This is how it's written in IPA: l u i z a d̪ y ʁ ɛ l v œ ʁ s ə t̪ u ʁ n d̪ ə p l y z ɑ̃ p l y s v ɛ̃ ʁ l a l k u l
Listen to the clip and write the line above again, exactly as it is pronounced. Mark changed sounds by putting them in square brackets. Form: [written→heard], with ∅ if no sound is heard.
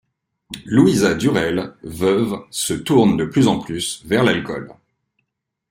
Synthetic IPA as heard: l u i z a d̪ y ʁ ɛ l v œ [ʁ→v] s ə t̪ u ʁ n d̪ ə p l y z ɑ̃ p l y s v [ɛ̃→ɛ] ʁ l a l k [u→ɔ] l